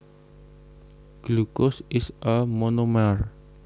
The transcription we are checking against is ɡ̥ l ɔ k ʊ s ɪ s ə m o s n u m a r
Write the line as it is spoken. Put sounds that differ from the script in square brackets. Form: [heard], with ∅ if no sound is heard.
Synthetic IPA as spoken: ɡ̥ l [u] k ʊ s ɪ s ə m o [∅] n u m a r